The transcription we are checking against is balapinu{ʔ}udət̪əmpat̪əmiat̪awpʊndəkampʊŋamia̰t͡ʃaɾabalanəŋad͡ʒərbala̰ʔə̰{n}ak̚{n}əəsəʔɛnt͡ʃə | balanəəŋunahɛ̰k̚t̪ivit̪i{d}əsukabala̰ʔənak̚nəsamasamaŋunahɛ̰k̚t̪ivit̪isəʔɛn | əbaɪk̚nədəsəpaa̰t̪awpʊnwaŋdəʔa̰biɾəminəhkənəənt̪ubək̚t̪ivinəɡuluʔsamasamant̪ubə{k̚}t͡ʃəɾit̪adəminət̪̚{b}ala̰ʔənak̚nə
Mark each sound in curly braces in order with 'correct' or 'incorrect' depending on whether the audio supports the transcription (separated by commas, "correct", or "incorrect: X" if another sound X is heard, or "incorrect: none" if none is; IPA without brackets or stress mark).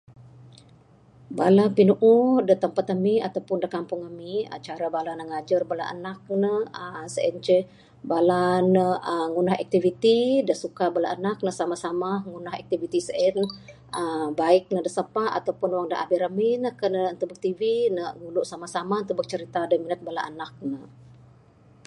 correct, correct, correct, correct, correct, correct